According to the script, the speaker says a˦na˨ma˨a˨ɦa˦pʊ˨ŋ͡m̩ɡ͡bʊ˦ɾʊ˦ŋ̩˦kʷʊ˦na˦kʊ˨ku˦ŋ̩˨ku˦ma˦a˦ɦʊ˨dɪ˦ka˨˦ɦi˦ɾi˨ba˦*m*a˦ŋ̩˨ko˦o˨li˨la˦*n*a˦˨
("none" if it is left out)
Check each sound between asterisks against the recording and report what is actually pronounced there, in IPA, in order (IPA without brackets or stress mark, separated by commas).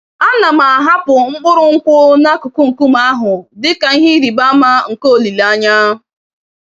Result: m, ɲ